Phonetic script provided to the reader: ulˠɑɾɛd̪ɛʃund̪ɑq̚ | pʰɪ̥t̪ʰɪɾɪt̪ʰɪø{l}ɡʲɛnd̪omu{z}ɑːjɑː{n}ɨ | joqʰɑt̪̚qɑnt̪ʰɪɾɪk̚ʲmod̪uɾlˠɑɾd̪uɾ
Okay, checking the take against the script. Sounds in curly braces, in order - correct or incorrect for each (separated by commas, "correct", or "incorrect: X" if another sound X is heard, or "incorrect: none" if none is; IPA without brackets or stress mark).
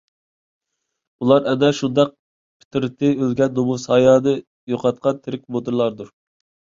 correct, incorrect: s, correct